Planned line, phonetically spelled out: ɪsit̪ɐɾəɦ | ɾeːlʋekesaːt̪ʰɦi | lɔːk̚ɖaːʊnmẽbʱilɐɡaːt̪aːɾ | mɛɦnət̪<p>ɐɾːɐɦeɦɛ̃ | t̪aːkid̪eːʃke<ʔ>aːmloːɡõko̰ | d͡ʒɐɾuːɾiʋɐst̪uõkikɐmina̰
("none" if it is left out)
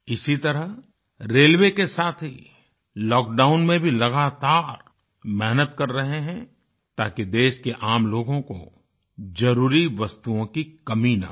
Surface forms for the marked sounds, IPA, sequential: k, ʔ

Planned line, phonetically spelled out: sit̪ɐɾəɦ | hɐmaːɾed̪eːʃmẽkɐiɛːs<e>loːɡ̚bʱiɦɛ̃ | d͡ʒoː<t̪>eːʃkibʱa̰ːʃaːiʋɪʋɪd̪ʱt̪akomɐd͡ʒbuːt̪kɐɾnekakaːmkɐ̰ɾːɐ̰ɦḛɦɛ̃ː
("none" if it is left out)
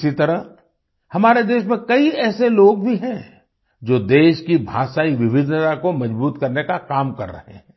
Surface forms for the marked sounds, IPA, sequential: e, d̪

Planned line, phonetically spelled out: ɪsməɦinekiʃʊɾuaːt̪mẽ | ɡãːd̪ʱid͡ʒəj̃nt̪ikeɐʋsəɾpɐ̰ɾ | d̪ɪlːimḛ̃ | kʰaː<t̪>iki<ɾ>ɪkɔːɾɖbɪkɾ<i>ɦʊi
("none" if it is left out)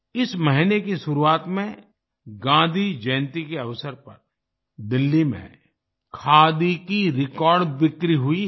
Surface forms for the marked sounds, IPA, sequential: d̪, ɾ, i

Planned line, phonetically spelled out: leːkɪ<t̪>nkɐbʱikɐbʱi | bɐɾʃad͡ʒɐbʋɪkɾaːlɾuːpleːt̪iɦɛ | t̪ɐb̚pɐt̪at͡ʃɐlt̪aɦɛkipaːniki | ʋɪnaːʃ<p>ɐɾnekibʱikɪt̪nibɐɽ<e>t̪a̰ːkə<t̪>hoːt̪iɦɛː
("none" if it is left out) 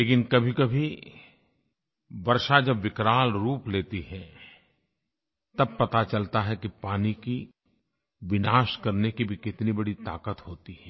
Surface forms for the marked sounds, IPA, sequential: none, k, i, t̪

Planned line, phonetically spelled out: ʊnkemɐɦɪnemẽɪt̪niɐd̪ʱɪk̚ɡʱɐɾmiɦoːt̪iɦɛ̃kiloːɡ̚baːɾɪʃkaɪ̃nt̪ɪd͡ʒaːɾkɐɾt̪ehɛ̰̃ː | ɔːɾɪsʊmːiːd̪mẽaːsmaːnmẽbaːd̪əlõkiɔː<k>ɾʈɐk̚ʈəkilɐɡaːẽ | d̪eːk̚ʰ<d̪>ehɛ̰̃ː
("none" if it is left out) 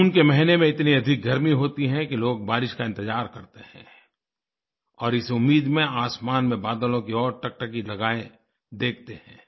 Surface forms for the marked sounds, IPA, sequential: none, t̪

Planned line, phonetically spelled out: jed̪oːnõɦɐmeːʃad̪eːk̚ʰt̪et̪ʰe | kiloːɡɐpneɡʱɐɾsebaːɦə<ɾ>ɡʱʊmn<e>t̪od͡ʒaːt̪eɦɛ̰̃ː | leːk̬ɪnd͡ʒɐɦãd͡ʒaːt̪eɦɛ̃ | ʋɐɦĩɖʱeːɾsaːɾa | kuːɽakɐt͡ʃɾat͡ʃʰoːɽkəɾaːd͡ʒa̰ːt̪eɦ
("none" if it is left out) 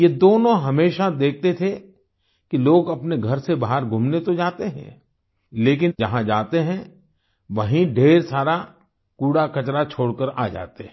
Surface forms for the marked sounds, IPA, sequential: ɾ, e

